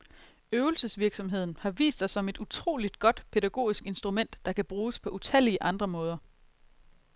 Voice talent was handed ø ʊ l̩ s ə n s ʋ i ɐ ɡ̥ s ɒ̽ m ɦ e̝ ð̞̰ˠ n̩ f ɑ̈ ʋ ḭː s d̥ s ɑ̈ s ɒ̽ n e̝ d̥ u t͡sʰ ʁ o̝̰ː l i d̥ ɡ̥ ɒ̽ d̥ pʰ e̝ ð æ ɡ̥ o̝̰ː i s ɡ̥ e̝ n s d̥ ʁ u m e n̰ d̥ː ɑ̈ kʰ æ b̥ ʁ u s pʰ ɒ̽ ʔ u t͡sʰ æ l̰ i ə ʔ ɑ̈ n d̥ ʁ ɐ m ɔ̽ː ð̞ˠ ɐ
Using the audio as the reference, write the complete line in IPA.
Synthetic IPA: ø ʊ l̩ s ə s ʋ i ɐ ɡ̥ s ɒ̽ m ɦ e̝ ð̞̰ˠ n̩ h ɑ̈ ʋ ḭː s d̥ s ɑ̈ s ɒ̽ m e̝ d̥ u t͡sʰ ʁ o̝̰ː l i d̥ ɡ̥ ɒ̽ d̥ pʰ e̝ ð æ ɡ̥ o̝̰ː i s ɡ̥ e̝ n s d̥ ʁ u m e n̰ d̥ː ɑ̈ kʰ æ b̥ ʁ uː s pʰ ɒ̽ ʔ u t͡sʰ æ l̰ i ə ʔ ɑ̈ n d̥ ʁ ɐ m ɔ̽ː ð̞ˠ ɐ